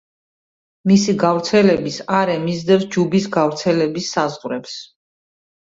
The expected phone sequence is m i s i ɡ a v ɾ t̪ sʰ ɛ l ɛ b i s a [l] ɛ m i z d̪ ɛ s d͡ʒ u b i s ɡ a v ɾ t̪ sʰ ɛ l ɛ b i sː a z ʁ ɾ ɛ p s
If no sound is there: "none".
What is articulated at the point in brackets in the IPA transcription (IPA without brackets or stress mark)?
ɾ